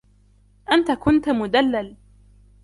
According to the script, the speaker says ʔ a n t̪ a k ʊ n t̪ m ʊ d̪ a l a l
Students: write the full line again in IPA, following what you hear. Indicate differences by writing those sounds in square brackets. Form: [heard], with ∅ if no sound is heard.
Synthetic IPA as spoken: ʔ a n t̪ a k ʊ n t̪ m ʊ d̪ a [lː] a l